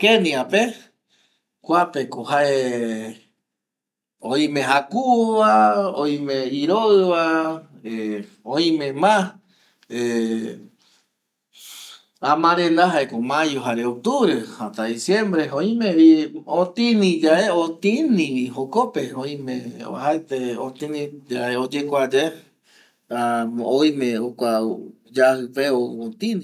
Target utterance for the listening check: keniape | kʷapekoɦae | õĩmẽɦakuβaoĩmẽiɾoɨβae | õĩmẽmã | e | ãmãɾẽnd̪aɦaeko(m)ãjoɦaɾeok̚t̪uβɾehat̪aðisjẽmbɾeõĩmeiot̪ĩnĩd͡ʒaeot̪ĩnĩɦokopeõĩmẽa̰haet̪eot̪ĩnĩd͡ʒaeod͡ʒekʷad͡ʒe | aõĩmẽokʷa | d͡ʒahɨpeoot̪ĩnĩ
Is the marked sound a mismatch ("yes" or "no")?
no